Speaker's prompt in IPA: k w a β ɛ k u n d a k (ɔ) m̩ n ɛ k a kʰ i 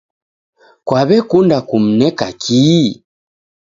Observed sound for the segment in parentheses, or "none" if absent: u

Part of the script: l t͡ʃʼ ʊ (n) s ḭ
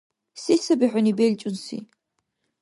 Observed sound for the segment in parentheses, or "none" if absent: n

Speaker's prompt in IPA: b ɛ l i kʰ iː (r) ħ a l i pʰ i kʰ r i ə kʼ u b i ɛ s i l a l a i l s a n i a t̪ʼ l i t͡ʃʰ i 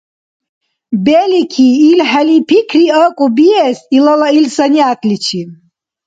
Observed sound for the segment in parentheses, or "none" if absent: l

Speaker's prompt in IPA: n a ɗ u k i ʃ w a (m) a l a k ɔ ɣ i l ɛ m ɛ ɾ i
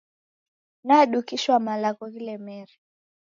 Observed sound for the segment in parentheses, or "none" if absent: m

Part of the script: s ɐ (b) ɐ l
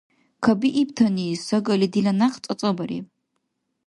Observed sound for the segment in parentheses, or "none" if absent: ɡ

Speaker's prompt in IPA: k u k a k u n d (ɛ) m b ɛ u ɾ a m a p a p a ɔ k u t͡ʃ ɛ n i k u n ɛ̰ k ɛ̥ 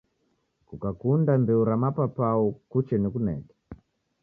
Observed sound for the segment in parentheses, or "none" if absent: a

